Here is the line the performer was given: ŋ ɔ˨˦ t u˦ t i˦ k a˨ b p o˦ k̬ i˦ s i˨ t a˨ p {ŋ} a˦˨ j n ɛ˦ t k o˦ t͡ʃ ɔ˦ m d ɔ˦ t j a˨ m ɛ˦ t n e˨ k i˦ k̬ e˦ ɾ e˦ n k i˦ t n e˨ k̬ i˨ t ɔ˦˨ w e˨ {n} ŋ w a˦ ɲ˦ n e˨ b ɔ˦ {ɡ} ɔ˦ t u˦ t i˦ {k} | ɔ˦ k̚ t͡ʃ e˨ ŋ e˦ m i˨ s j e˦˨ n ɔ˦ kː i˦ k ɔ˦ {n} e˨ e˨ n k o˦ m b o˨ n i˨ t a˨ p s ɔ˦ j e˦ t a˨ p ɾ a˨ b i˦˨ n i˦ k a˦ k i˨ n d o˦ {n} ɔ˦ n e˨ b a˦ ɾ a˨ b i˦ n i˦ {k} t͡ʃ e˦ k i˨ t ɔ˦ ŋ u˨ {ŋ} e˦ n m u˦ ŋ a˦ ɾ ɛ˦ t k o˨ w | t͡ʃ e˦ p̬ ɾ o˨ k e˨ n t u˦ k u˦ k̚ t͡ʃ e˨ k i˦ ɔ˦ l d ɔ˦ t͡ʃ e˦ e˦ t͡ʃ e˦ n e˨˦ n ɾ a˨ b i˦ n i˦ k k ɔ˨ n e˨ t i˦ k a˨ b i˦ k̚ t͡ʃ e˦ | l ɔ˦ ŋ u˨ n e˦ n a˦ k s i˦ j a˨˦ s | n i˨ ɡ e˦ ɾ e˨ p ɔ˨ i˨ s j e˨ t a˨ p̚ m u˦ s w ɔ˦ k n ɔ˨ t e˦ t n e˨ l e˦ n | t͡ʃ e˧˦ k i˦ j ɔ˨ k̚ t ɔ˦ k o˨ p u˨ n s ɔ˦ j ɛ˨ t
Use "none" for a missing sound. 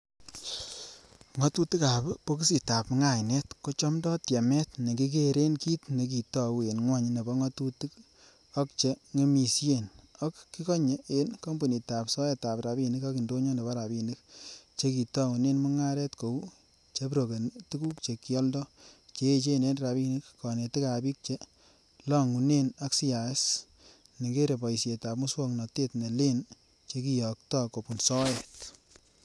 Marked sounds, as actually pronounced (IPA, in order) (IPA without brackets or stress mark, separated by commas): ŋ, n, ŋ, k, ɲ, ɲ, k, n